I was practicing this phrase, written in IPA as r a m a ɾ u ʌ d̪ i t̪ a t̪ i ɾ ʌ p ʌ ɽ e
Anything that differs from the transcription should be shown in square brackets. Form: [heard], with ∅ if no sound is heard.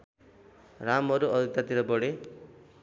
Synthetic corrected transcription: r a m [ʌ] ɾ u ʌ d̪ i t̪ a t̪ i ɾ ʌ [b] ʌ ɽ e